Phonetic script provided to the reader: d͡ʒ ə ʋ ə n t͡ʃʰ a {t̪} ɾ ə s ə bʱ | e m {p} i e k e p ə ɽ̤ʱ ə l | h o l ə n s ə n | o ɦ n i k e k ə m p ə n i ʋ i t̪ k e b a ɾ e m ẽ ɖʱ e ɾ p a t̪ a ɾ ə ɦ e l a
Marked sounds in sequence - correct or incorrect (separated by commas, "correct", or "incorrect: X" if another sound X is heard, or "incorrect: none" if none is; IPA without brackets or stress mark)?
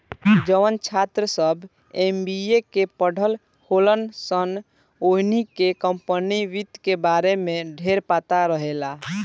correct, incorrect: b